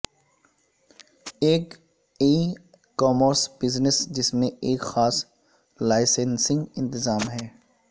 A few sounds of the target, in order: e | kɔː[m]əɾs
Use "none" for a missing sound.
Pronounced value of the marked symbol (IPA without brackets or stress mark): m